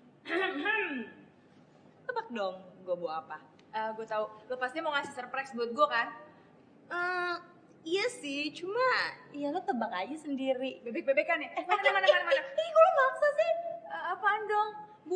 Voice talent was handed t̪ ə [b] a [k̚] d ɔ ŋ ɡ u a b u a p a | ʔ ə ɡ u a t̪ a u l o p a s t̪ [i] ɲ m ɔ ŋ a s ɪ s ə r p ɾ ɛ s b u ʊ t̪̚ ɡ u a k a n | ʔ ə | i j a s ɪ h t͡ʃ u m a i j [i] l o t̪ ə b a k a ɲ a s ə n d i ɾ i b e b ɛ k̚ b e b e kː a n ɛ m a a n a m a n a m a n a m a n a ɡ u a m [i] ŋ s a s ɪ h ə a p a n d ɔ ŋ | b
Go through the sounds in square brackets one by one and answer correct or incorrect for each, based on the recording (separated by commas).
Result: correct, correct, correct, incorrect, incorrect